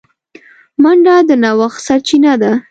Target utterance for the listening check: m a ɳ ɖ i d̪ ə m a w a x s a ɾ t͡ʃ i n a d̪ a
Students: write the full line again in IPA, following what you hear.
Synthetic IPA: m a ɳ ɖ a d̪ ə n a w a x s a ɾ t͡ʃ i n a d̪ a